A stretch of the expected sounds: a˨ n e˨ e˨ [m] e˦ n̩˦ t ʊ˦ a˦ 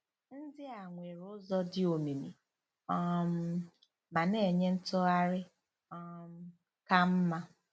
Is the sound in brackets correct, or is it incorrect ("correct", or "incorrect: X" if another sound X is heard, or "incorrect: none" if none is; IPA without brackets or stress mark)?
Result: incorrect: ɲ